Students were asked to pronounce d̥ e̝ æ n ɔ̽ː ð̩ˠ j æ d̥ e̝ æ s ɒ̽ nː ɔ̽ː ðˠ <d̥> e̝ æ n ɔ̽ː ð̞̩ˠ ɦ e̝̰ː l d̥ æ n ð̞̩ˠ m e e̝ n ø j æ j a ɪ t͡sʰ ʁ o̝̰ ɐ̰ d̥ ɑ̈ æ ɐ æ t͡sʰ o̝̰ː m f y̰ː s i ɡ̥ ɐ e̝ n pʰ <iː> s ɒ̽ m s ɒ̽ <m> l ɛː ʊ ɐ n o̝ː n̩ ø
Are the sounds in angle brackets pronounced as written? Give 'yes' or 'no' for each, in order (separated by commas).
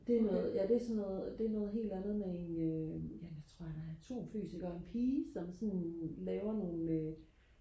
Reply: yes, yes, no